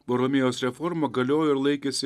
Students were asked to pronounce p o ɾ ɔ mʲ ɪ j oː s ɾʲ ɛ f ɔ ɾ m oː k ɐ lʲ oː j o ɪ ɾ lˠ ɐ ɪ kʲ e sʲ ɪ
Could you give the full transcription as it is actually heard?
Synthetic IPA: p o ɾ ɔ mʲ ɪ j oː s ɾʲ ɛ f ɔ ɾ m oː ɡ ɐ lʲ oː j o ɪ ɾ lˠ ɐ ɪ kʲ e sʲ ɪ